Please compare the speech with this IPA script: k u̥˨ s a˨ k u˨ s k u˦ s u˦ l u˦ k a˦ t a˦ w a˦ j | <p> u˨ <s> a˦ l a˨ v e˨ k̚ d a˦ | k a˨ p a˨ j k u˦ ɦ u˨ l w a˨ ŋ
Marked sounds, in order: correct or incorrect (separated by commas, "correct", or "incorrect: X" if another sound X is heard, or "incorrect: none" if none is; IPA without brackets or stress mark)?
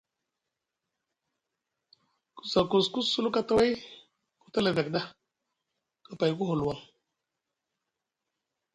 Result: incorrect: k, incorrect: t